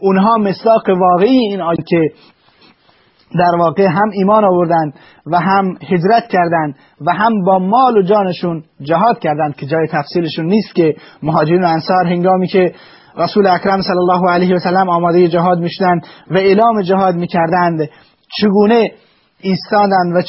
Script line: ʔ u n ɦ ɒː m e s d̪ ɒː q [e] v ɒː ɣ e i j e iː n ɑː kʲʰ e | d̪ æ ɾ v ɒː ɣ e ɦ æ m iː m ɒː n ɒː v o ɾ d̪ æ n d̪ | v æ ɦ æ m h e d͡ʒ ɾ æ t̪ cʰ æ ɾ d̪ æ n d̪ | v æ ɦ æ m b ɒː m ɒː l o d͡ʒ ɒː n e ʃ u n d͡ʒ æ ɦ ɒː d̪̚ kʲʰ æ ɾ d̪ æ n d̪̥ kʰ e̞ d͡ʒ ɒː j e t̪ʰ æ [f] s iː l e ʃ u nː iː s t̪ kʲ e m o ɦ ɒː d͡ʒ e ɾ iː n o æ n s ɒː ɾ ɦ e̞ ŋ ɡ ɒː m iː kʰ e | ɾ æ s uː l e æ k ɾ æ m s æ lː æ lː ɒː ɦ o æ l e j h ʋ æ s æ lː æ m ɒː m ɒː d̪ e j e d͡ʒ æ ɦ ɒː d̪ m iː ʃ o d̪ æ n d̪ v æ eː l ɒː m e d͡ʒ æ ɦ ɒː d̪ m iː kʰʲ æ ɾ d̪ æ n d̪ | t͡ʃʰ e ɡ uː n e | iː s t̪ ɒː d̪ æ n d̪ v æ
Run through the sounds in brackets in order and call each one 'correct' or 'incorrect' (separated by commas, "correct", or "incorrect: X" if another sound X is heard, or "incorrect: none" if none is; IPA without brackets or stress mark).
correct, correct